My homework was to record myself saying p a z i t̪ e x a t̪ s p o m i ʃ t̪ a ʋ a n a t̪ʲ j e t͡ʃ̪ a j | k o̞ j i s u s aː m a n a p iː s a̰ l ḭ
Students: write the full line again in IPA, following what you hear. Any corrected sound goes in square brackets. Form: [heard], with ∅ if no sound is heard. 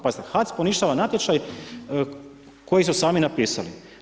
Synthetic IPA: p a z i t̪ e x a t̪ s p o [n] i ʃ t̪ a ʋ a n a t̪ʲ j e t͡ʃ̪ a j | k o̞ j i s u s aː m [i] n a p iː s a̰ l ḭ